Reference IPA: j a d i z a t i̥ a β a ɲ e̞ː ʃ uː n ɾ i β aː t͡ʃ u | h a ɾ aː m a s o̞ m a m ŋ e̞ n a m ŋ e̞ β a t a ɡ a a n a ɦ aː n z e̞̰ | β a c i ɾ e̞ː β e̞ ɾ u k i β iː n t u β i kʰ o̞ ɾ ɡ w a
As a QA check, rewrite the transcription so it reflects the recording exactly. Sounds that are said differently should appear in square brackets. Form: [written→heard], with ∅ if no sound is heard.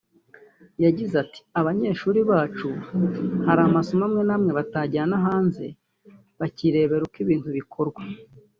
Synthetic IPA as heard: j a [d→ɟ] i z a t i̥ a β a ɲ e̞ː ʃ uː [n→∅] ɾ i β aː t͡ʃ u | h a ɾ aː m a s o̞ m a m ŋ e̞ n a m ŋ e̞ β a t a [ɡ→ɟ] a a n a ɦ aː n z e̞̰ | β a c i ɾ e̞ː β e̞ ɾ u k i β iː n t u β i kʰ o̞ ɾ ɡ w a

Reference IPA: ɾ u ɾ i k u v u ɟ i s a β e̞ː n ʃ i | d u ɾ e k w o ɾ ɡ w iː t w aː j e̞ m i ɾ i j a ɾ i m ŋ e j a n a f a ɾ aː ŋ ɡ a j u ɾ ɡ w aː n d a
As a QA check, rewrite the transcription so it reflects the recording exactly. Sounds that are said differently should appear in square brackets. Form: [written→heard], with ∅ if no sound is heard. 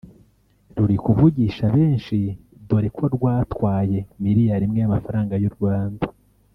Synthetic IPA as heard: ɾ u ɾ i k u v u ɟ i [s→ʃ] a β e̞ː n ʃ i | d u ɾ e k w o ɾ ɡ w [iː→aː] t w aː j e̞ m i ɾ i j a ɾ i m ŋ e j a [n→m] a f a ɾ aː ŋ ɡ a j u ɾ ɡ w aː n d a

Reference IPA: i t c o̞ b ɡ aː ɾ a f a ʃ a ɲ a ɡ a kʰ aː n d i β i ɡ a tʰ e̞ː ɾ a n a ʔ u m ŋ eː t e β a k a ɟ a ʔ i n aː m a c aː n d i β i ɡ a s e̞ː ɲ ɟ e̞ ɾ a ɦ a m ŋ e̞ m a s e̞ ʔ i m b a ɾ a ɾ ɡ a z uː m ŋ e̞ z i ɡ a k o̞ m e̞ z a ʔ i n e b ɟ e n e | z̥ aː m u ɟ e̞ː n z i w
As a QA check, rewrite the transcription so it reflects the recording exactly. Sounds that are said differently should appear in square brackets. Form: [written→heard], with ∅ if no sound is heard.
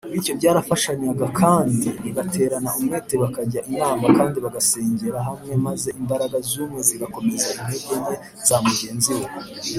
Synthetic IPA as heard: i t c o̞ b [ɡ→ɟ] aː ɾ a f a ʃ a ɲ a ɡ a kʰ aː n d i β i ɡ a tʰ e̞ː ɾ a n a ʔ u m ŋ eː t e β a k a ɟ a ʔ i n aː m a [c→k] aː n d i β [i→a] ɡ a s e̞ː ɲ ɟ e̞ ɾ a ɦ a m ŋ e̞ m a [s→z] e̞ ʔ i m b a ɾ a [ɾ→∅] ɡ a z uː m ŋ e̞ z i ɡ a k o̞ m e̞ z a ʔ i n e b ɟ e n e | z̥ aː m u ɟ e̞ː n z i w

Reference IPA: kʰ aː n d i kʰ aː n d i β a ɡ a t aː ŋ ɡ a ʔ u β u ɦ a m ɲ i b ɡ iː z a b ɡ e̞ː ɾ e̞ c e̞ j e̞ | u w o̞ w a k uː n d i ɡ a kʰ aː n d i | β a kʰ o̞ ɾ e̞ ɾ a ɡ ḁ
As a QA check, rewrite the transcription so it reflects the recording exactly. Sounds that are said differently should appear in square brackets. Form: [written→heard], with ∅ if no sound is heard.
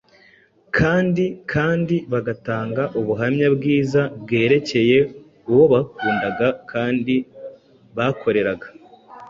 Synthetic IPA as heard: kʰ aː n d i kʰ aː n d i β a ɡ a t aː ŋ ɡ a ʔ u β u ɦ a m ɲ [i→a] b ɡ iː z a b ɡ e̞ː ɾ e̞ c e̞ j e̞ | u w o̞ [w→β] a k uː n d [i→a] ɡ a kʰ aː n d i | β a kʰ o̞ ɾ e̞ ɾ a ɡ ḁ

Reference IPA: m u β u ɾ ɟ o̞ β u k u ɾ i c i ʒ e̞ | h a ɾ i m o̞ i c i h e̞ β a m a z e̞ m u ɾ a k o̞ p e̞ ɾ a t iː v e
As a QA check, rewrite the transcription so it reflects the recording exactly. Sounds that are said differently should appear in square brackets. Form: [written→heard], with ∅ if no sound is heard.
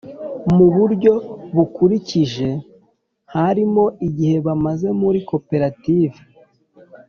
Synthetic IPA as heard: m u β u ɾ ɟ o̞ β u k u ɾ i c i ʒ e̞ | h a ɾ i m o̞ i [c→ɟ] i h e̞ β a m a z e̞ m u ɾ [a→i] k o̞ p e̞ ɾ a t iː v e

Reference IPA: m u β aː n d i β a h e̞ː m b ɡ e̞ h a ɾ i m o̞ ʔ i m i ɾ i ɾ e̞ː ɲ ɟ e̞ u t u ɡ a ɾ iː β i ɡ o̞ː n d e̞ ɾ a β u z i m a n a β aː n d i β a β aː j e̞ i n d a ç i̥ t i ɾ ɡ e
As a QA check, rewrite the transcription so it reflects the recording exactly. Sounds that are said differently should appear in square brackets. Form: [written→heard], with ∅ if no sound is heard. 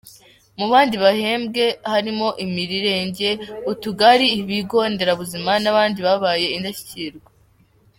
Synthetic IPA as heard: m u β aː n d i β a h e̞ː m b ɡ e̞ h a ɾ i m o̞ ʔ i m i ɾ i ɾ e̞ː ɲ ɟ e̞ u t u ɡ a ɾ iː β i ɡ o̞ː n d e̞ ɾ a β u z i m a n a β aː n d i β a β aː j e̞ i n d a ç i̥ [t→c] i ɾ ɡ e

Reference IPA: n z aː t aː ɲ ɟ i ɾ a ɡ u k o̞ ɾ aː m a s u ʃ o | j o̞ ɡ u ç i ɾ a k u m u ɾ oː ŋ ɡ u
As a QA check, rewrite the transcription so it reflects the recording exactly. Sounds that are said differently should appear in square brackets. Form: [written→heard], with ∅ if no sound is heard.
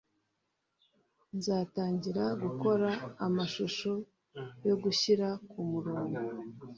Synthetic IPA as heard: n z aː t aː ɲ ɟ i ɾ a ɡ u k o̞ ɾ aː m a [s→ʃ] u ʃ o | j o̞ ɡ u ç i ɾ a k u m u ɾ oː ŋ ɡ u

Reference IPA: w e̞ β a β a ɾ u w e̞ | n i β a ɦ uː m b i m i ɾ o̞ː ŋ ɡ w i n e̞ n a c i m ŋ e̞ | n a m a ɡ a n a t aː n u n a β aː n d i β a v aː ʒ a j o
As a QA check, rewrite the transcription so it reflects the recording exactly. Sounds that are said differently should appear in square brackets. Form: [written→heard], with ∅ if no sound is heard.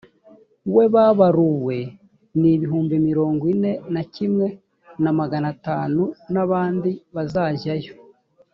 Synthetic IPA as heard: w e̞ β a β a ɾ u w e̞ | n i β [a→i] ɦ uː m b i m i ɾ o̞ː ŋ ɡ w i n e̞ n a c i m ŋ e̞ | n a m a ɡ a n a t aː n u n a β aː n d i β a [v→z] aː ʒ a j o

